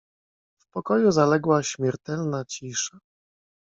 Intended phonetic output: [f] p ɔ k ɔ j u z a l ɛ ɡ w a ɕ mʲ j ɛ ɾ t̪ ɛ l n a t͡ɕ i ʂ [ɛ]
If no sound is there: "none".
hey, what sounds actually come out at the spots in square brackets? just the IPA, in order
f, a

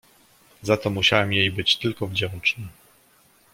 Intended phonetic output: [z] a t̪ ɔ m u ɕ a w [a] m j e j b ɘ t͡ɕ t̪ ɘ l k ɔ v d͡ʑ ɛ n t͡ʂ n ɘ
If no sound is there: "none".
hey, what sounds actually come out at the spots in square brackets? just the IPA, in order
z, ɛ

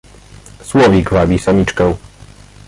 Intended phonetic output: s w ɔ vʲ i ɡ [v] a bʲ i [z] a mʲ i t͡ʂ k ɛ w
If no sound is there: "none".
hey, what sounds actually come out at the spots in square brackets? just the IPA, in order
v, s

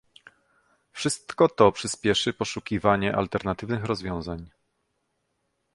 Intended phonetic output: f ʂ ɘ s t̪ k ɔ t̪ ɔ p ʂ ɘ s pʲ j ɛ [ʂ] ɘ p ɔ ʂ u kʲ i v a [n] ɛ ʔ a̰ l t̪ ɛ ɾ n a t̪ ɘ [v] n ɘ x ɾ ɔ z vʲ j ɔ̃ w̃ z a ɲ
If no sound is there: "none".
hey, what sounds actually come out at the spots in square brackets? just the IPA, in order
ʂ, ɲ, v

